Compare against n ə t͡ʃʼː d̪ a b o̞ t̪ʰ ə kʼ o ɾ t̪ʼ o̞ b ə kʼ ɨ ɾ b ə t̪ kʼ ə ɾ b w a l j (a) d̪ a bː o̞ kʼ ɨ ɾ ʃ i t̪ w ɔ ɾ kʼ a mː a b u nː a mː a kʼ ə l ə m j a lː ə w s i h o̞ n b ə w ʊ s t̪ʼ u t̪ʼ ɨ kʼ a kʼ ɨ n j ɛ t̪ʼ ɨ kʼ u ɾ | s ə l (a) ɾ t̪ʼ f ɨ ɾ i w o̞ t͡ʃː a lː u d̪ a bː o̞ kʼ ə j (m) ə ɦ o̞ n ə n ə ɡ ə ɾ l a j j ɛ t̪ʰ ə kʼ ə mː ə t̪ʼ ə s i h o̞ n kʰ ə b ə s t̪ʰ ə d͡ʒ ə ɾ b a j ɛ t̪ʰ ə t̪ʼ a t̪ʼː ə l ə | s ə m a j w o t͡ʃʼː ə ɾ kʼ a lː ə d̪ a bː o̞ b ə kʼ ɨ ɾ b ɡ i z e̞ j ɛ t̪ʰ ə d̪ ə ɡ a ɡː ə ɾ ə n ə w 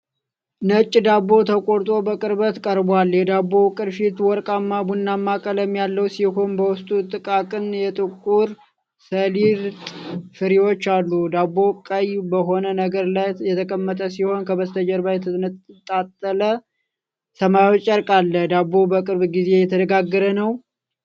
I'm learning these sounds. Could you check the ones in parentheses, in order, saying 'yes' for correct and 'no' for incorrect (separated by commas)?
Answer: no, no, no